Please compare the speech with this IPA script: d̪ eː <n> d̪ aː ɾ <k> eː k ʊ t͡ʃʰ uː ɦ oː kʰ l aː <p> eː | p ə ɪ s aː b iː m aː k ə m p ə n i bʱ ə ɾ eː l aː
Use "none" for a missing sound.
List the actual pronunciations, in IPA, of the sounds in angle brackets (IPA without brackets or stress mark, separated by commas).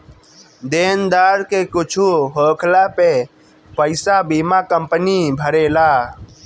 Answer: n, k, p